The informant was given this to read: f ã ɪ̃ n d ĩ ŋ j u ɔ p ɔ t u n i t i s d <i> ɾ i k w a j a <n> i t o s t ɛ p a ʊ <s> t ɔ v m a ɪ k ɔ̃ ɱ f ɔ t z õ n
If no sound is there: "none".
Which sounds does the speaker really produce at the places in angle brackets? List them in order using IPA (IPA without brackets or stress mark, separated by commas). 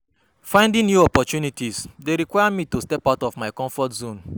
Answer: e, m, none